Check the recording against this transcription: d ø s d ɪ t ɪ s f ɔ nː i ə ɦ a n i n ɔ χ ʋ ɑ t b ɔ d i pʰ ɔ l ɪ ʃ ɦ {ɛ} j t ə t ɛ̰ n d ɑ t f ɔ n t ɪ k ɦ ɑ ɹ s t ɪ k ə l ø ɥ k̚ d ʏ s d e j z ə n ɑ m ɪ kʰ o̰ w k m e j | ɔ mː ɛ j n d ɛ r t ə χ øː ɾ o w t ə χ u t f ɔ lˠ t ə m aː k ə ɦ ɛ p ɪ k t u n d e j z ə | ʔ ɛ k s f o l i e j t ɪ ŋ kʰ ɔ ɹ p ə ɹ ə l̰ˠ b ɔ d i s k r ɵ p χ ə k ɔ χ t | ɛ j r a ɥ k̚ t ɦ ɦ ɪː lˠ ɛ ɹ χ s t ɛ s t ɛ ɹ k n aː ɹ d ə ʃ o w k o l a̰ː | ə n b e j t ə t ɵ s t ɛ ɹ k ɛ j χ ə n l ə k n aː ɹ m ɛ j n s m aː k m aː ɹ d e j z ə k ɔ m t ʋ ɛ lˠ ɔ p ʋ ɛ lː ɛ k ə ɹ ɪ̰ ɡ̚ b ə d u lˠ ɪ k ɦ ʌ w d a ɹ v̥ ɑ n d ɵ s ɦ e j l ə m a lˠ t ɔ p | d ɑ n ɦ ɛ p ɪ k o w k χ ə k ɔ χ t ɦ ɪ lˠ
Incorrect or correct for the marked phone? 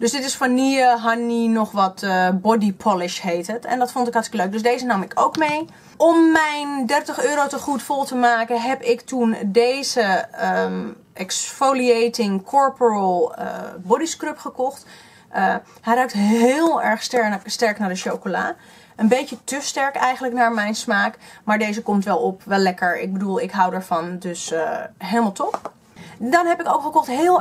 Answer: incorrect: e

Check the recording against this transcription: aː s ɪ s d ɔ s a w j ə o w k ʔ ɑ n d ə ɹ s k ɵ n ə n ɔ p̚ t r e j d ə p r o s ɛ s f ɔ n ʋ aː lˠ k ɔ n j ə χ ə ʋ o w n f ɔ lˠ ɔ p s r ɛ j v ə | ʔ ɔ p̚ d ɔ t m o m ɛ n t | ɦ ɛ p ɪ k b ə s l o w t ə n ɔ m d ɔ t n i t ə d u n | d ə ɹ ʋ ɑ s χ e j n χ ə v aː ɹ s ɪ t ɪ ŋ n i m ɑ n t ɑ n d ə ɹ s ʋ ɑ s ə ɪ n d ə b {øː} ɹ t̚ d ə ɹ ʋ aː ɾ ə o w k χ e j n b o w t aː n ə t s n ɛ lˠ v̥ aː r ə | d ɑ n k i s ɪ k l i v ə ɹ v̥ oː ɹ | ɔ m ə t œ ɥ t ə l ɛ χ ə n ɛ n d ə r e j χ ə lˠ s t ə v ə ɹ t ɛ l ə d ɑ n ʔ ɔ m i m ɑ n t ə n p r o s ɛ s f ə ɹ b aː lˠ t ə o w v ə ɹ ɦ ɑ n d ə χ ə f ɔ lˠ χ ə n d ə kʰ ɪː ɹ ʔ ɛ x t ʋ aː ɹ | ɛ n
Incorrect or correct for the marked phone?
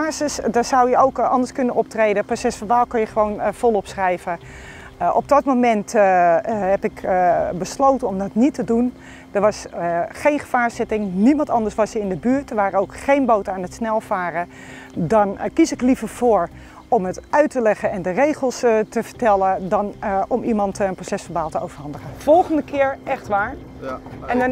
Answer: incorrect: yː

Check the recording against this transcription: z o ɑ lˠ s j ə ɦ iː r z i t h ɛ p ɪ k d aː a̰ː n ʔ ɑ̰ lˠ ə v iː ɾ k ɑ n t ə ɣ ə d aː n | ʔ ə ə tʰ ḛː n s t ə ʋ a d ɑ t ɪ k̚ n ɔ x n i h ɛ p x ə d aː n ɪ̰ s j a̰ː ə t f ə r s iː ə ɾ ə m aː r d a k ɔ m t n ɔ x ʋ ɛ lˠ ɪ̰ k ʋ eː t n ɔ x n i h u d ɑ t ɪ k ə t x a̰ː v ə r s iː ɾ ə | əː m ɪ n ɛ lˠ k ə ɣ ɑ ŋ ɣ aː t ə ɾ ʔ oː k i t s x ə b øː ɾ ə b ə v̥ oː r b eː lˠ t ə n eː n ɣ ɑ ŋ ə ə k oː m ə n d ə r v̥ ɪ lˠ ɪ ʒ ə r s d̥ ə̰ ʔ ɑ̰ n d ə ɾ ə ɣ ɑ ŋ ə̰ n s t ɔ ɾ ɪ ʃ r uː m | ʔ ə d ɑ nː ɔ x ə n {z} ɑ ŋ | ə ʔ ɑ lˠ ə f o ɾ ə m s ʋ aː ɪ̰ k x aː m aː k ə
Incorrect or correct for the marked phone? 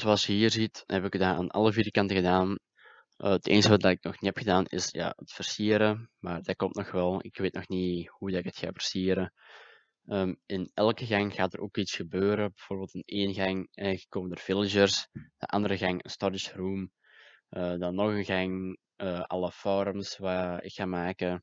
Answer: incorrect: ɣ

